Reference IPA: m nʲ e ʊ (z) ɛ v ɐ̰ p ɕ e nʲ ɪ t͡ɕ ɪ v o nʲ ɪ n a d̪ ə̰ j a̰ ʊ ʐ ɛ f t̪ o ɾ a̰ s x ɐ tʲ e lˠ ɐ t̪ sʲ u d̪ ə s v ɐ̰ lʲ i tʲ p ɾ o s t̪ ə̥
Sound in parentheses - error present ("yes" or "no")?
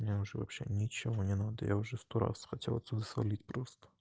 yes